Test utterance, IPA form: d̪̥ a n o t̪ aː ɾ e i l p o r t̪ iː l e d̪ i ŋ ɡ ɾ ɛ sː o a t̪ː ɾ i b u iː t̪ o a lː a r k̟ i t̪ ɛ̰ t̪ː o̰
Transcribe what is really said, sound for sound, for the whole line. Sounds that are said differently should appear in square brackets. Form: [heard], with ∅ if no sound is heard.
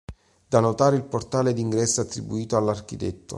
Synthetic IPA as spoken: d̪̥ a n o t̪ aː ɾ e i l p o r t̪ [aː] l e d̪ i ŋ ɡ ɾ ɛ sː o a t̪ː ɾ i b u iː t̪ o a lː a r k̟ i t̪ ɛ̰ t̪ː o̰